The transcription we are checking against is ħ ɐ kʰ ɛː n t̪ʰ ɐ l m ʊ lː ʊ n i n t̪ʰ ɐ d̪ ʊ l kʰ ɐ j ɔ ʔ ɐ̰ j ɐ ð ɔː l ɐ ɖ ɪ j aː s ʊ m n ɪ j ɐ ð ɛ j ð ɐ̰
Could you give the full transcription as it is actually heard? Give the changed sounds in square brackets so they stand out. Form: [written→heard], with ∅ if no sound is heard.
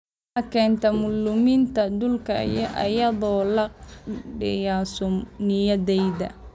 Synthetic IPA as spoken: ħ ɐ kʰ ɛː n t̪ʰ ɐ [l→∅] m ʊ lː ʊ [n→m] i n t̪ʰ ɐ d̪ ʊ l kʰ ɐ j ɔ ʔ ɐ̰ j ɐ ð ɔː l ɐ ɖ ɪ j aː s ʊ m n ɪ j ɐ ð ɛ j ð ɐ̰